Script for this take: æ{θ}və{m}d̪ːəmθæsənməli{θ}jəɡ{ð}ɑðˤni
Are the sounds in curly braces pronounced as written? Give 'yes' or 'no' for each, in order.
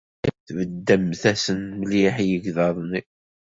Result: yes, no, no, yes

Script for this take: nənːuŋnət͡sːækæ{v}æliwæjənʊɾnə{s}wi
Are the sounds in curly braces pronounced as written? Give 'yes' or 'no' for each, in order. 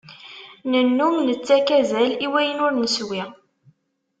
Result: no, yes

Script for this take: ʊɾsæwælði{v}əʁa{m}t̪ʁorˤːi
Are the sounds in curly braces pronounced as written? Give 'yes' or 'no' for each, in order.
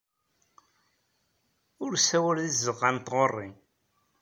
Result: no, no

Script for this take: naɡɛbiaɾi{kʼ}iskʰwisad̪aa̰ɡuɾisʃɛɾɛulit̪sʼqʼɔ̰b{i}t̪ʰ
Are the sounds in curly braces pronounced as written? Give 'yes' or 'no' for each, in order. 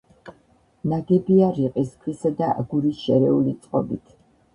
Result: no, yes

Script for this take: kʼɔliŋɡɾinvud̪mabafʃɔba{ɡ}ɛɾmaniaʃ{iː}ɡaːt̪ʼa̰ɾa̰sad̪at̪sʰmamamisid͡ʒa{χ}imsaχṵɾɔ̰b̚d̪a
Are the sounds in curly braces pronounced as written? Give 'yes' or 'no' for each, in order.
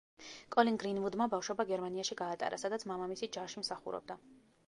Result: yes, no, no

